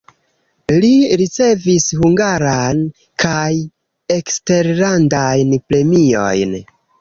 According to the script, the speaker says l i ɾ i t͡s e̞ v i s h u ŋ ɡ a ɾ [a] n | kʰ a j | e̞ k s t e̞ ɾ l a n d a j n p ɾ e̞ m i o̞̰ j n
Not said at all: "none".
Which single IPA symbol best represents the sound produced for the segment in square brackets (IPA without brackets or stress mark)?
a